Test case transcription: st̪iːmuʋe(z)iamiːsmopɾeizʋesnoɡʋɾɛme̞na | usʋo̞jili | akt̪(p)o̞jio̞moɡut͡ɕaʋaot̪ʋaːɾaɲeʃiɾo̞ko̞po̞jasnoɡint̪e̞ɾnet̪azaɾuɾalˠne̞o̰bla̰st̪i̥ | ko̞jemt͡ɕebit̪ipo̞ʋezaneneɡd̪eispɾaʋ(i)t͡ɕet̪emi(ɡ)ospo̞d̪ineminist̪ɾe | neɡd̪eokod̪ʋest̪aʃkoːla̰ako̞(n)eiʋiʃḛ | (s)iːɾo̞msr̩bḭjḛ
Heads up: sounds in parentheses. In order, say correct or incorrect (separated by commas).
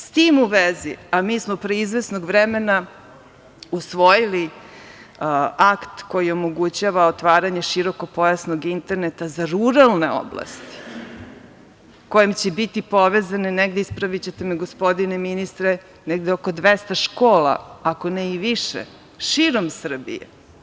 correct, incorrect, correct, correct, correct, incorrect